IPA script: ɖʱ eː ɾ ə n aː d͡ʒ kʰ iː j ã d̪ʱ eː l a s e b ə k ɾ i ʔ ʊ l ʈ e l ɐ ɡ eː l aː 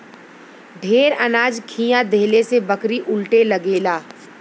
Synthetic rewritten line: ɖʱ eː ɾ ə n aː d͡ʒ kʰ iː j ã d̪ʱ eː l e s e b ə k ɾ i ʔ ʊ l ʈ e l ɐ ɡ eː l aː